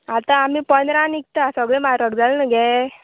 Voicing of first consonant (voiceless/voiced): voiceless